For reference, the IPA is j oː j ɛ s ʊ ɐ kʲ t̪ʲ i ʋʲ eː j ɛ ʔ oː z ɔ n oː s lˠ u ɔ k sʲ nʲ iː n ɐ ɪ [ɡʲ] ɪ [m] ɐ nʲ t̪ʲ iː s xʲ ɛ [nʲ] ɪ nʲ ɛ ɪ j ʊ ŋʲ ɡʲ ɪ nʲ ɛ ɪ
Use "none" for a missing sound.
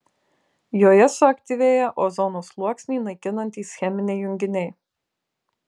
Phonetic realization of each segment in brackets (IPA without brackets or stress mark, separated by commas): kʲ, n, mʲ